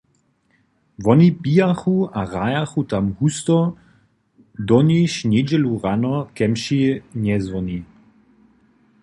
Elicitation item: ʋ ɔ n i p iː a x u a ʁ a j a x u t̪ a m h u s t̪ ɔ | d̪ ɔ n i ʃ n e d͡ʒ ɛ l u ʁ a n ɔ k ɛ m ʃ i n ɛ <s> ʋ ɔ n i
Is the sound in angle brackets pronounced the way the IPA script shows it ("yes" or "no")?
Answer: no